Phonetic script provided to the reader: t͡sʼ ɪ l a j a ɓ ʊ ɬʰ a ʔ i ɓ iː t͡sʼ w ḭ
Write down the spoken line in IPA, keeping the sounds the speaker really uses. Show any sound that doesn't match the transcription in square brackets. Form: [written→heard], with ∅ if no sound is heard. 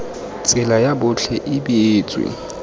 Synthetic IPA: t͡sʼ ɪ l a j a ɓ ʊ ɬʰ [a→ɛ] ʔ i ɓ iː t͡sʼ w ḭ